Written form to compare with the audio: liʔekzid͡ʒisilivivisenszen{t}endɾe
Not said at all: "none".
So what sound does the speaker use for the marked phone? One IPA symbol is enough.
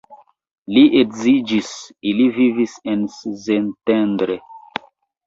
t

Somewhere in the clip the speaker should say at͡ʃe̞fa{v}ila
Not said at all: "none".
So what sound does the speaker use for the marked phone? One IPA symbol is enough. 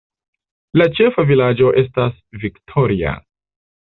v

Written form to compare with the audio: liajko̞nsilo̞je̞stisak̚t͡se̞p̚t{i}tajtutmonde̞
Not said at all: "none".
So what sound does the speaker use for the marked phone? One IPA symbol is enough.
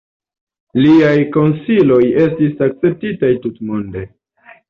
i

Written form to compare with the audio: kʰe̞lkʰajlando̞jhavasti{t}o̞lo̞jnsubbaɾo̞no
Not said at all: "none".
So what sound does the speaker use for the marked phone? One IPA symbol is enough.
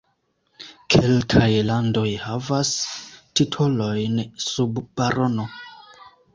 tʰ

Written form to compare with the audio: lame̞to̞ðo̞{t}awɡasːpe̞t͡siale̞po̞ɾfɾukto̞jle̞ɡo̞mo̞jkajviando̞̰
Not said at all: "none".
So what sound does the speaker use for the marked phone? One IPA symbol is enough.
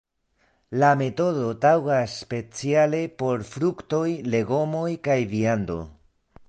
t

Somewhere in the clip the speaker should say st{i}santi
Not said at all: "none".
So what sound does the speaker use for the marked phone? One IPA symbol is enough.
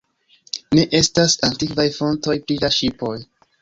a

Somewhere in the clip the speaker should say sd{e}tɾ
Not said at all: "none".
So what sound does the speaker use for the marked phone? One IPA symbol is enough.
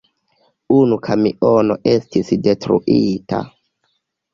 e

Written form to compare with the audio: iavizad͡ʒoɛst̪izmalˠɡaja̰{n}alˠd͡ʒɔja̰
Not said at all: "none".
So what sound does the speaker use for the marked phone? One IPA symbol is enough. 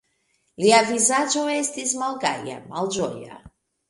m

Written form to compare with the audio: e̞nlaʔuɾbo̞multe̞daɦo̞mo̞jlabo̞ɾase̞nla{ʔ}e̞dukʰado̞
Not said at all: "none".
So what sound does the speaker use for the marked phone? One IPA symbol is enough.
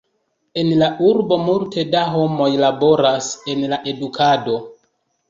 ʔ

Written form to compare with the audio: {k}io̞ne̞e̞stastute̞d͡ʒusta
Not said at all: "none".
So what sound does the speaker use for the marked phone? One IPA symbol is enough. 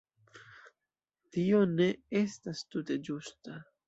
t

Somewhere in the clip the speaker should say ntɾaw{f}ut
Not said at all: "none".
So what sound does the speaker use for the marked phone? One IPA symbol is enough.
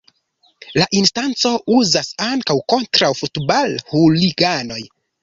f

